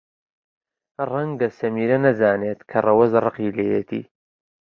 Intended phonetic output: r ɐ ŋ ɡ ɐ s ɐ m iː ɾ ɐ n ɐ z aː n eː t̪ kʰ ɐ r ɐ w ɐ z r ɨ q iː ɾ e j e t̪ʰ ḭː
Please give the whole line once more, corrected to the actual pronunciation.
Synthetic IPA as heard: r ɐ ŋ ɡ ɐ s ɐ m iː ɾ ɐ n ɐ z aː n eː t̪ kʰ ɐ r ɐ w ɐ z r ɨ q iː l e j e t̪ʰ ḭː